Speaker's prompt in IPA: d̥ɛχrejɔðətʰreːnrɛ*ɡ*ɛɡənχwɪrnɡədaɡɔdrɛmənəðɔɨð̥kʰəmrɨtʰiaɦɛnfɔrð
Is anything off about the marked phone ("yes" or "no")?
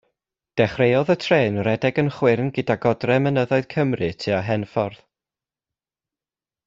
yes